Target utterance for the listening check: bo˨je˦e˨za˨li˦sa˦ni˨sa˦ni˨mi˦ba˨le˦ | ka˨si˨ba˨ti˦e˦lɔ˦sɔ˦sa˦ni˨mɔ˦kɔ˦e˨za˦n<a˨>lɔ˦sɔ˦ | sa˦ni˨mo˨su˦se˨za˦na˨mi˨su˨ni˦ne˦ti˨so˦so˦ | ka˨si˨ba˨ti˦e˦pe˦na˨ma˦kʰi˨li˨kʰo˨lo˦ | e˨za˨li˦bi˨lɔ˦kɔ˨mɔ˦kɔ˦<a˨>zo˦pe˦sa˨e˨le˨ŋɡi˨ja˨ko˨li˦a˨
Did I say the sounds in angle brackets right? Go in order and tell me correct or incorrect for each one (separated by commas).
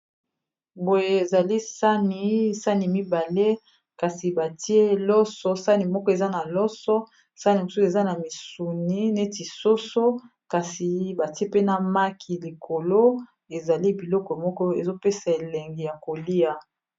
correct, incorrect